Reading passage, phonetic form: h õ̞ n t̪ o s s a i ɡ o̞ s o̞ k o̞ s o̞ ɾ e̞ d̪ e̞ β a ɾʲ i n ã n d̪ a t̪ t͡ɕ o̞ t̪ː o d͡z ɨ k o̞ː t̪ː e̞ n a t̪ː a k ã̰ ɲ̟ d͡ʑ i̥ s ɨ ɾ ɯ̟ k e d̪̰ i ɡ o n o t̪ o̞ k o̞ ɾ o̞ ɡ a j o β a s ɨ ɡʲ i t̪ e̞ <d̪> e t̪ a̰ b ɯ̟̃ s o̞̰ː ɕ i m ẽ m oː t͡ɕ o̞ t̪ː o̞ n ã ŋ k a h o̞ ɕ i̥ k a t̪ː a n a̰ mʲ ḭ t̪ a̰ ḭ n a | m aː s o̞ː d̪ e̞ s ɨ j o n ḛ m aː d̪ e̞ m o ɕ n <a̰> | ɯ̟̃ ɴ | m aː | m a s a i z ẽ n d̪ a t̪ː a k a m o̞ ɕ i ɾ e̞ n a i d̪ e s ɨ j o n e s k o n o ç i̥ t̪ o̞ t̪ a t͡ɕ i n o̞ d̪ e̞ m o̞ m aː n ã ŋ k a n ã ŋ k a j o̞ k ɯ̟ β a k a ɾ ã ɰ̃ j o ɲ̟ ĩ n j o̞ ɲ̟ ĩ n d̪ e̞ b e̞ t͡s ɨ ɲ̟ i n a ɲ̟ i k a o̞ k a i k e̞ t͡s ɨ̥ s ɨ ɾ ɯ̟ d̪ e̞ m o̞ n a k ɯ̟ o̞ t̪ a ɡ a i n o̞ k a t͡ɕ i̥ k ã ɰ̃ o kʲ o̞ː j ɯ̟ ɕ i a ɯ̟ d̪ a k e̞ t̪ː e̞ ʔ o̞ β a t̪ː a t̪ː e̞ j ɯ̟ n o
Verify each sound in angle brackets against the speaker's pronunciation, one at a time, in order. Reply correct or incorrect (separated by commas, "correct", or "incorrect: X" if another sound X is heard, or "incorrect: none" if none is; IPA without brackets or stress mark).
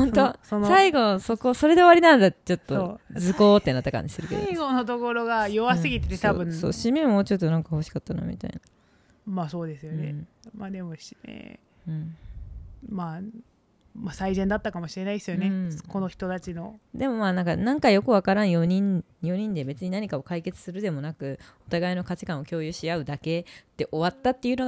incorrect: t̪, incorrect: ḛ